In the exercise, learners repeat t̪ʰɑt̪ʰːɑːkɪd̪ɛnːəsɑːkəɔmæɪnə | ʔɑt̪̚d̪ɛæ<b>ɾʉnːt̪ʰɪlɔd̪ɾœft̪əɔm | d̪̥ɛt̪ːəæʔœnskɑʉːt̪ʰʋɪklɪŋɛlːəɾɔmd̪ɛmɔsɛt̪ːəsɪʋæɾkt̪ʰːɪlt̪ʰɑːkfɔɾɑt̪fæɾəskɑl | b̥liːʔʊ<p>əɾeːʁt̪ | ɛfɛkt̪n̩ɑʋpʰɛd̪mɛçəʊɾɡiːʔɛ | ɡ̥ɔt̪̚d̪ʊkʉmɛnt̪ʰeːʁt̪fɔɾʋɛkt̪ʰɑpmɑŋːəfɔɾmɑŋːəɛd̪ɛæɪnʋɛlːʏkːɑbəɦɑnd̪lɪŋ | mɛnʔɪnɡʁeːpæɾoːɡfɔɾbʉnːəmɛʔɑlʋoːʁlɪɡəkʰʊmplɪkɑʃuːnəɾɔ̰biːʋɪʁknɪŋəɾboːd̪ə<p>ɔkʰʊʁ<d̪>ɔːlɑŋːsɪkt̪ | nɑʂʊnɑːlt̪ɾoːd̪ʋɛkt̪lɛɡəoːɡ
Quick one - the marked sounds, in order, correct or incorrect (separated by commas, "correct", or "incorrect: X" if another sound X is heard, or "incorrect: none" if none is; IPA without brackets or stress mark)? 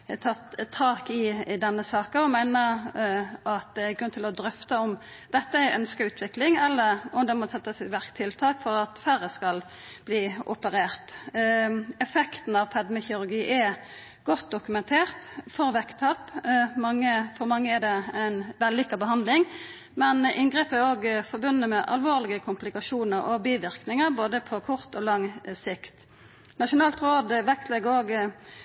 incorrect: ɡ, correct, incorrect: pʰ, incorrect: t̪